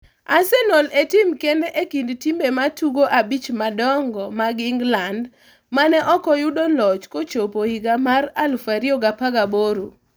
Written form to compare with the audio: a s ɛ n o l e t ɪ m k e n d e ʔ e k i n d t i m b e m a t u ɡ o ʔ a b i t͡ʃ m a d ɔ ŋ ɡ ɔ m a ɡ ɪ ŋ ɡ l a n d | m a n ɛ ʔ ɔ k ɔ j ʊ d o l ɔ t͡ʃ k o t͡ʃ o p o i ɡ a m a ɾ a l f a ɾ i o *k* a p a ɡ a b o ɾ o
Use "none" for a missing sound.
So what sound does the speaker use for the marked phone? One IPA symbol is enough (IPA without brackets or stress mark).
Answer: ɡ